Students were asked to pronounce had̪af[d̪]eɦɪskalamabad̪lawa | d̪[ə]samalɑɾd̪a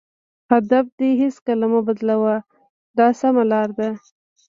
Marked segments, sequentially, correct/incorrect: correct, incorrect: ɑ

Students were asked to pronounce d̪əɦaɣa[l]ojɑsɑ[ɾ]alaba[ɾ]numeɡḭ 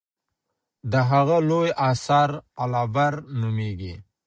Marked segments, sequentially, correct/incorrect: correct, correct, correct

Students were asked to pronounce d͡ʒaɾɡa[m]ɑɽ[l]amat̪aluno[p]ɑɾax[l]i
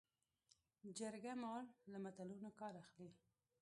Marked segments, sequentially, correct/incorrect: correct, correct, incorrect: k, correct

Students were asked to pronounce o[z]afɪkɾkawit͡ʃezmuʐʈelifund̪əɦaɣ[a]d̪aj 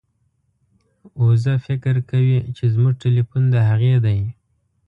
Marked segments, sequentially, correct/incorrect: correct, incorrect: e

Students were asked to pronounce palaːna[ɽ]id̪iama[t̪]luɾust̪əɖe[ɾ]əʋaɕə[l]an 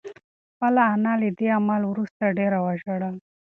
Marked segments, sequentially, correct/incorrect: incorrect: l, incorrect: none, correct, incorrect: ɽ

